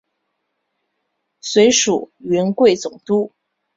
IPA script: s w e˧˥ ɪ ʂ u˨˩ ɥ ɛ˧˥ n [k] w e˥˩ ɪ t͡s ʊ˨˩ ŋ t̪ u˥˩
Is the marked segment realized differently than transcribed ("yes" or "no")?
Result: no